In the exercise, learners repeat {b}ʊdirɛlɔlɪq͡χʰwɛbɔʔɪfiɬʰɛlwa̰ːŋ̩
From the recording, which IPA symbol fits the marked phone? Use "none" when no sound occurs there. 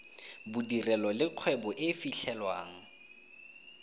b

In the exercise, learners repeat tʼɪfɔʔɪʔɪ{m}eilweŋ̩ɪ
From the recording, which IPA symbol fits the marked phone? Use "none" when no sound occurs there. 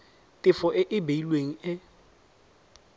b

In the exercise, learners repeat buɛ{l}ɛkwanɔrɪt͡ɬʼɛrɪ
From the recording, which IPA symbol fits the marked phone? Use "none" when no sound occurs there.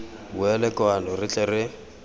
l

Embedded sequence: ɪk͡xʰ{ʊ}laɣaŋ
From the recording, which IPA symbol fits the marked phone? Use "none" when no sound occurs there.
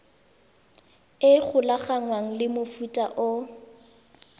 ʊ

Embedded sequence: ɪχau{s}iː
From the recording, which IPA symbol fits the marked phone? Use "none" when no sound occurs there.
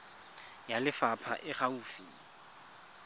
f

